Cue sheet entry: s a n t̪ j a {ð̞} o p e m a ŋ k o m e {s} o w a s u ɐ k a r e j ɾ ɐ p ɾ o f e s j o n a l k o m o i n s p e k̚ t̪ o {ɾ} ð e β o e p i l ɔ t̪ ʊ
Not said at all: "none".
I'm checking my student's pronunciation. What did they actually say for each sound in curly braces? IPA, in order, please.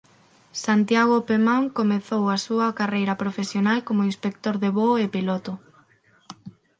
ɣ̞, θ, ɾ

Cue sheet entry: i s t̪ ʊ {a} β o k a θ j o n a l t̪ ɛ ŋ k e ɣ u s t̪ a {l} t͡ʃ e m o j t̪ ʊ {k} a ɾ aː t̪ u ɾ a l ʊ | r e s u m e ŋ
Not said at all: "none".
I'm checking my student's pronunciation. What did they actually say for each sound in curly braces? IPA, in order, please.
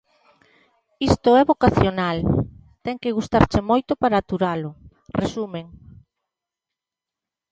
ɛ, ɾ, p

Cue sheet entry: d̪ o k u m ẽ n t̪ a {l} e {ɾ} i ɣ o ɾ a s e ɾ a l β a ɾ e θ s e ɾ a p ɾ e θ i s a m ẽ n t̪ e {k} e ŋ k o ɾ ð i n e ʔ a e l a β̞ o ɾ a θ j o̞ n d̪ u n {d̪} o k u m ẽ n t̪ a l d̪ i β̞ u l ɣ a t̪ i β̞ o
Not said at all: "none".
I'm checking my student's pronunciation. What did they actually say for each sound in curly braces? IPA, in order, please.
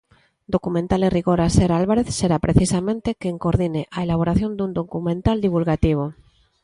l, r, k, d̪

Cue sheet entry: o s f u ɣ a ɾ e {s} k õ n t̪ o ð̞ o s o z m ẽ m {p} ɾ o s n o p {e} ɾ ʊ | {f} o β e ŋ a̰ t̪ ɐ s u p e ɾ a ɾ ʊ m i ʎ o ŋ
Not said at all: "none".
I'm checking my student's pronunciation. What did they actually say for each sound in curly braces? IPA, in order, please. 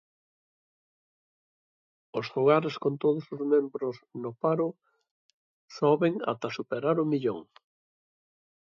s, b, a, s

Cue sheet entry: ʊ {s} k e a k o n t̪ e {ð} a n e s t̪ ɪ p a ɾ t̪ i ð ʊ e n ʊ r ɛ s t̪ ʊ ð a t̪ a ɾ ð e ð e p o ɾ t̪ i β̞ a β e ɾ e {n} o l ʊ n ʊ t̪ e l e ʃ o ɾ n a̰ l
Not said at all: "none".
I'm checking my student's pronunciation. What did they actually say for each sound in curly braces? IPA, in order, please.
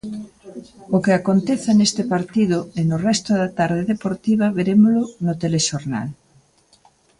none, θ, m

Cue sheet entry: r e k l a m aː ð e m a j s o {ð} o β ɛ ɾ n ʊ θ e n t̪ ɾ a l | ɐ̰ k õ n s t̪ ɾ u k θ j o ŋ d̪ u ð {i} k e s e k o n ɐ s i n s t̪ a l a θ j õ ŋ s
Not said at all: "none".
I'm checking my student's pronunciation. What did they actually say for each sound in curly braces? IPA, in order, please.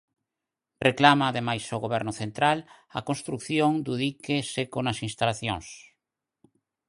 ɣ, i

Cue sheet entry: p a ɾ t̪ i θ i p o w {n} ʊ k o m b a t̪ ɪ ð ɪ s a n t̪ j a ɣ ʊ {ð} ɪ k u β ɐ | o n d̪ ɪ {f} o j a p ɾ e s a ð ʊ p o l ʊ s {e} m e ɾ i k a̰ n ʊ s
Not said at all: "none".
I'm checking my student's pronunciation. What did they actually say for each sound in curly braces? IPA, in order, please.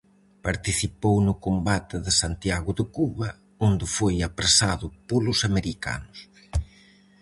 n, ð, f, a

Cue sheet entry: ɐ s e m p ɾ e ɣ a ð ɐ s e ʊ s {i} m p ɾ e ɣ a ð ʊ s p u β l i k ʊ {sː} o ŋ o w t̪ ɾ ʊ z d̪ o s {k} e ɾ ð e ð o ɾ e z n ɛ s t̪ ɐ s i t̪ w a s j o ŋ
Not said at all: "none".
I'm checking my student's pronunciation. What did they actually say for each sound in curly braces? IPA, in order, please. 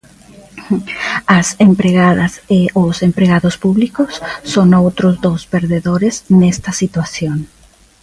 e, sː, p

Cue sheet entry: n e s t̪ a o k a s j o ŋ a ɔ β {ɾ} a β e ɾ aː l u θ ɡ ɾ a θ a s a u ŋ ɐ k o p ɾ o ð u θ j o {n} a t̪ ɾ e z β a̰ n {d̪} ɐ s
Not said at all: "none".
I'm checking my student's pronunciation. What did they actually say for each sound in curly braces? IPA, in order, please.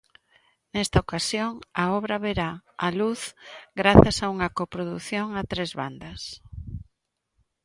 ɾ, ŋ, d̪

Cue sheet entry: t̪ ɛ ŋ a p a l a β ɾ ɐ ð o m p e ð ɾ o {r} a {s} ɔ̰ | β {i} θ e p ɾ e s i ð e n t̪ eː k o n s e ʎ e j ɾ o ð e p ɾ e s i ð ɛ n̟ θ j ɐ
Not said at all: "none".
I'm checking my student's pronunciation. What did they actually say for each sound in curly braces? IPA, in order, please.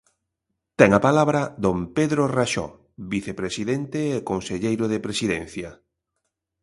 r, ʃ, i

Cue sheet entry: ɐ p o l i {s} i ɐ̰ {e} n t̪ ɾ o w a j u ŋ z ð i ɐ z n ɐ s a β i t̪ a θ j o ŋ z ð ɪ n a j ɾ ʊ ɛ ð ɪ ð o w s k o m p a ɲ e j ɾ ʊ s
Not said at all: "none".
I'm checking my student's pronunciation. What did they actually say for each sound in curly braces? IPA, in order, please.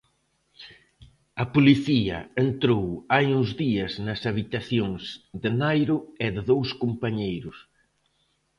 θ, e

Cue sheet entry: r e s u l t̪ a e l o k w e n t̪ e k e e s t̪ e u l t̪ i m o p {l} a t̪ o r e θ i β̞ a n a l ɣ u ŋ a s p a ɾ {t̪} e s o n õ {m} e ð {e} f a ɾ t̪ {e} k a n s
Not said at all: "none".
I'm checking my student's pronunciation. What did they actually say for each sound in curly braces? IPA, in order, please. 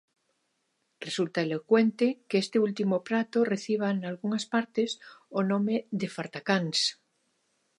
ɾ, t̪, m, e, a

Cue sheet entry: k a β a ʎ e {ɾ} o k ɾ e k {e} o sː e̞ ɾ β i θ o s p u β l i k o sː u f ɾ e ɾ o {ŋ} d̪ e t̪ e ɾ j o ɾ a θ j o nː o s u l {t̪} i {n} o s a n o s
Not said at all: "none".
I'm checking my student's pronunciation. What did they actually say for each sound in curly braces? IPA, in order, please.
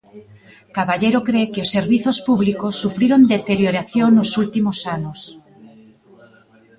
ɾ, e, n, t̪, m

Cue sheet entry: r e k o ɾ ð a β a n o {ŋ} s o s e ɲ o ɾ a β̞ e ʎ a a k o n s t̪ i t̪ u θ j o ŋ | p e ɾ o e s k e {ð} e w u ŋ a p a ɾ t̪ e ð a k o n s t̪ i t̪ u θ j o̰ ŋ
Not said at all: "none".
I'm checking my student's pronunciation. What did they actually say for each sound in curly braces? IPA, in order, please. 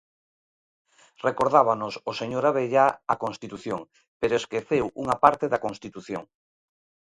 none, θ

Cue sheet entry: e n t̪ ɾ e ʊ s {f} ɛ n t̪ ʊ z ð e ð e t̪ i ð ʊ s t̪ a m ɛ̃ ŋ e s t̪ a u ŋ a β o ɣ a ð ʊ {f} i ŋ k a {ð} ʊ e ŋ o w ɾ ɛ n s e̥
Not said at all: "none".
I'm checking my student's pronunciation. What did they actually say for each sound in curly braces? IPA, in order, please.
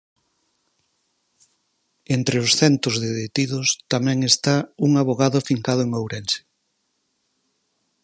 θ, f, ð

